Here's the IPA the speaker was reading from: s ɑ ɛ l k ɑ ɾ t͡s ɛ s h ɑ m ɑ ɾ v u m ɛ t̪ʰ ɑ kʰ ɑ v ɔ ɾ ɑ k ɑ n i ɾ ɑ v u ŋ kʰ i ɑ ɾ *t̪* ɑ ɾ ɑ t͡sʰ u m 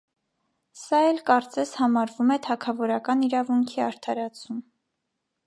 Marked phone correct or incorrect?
incorrect: t̪ʰ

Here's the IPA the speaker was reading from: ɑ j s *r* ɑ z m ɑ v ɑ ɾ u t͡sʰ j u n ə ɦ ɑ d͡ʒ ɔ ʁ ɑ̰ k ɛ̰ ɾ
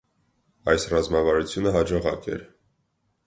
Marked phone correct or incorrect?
correct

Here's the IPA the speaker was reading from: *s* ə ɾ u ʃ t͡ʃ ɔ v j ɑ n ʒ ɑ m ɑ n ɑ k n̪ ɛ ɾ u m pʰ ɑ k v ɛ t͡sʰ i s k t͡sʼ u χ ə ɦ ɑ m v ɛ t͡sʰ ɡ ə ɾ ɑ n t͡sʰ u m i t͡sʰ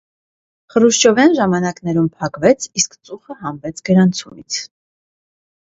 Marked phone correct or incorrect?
incorrect: χ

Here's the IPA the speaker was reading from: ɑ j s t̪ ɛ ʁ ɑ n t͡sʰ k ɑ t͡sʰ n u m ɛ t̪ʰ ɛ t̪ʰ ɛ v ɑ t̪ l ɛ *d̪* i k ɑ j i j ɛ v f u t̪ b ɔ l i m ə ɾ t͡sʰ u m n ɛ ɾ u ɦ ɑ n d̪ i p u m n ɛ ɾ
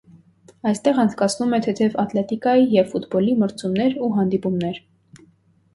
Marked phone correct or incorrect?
incorrect: t̪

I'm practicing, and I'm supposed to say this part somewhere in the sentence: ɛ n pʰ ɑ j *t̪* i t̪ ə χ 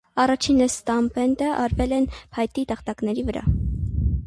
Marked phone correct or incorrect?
correct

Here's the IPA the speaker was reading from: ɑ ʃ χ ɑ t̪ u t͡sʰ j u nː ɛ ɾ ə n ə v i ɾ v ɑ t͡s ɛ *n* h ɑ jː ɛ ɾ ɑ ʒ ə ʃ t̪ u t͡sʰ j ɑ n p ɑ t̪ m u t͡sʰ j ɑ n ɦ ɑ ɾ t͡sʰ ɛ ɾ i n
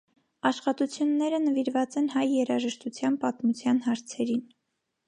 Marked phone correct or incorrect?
correct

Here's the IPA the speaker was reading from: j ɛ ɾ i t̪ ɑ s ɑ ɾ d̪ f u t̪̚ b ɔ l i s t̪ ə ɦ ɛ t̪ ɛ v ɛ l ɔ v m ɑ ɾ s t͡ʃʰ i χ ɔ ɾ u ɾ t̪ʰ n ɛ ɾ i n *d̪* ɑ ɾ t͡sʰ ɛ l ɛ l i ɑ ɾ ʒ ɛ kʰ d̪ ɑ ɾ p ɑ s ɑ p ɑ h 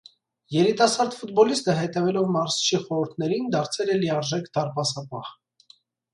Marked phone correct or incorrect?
correct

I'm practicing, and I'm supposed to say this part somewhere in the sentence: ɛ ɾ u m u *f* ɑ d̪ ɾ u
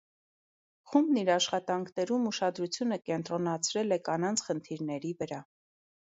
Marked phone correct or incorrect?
incorrect: ʃ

